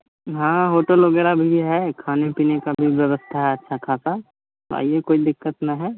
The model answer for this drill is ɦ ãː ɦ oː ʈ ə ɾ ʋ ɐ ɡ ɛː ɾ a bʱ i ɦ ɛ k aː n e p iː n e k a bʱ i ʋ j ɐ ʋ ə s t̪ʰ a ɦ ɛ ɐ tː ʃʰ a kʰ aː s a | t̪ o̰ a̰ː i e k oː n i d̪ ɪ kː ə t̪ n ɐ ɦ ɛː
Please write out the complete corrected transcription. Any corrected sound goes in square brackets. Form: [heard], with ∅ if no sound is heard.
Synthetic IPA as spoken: ɦ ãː ɦ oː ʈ ə [l] ʋ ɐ ɡ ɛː ɾ a bʱ i ɦ ɛ [kʰ] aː n e p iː n e k a bʱ i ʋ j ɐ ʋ ə s t̪ʰ a ɦ ɛ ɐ tː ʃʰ a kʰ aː s a | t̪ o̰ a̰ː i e k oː [∅] i d̪ ɪ kː ə t̪ n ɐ ɦ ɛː